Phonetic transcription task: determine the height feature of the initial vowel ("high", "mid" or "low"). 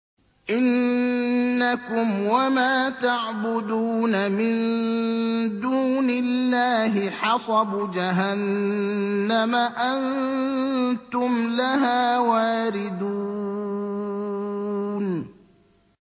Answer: high